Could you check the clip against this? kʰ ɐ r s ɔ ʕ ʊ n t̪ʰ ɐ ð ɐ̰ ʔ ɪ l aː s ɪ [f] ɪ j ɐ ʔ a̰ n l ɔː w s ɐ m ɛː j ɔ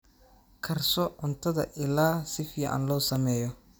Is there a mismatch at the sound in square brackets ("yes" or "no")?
no